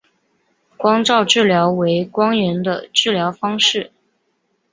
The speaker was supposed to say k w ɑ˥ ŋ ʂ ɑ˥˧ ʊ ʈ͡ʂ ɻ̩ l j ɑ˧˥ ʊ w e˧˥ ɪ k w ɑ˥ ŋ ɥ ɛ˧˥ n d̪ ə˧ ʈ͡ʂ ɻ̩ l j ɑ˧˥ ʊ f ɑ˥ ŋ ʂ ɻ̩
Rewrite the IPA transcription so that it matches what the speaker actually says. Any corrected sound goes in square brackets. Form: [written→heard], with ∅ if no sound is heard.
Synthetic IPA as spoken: k w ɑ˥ ŋ [ʂ→ʈ͡ʂ] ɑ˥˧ ʊ ʈ͡ʂ ɻ̩ l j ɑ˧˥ ʊ w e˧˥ ɪ k w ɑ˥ ŋ ɥ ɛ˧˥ n d̪ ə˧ ʈ͡ʂ ɻ̩ l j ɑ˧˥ ʊ f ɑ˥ ŋ ʂ ɻ̩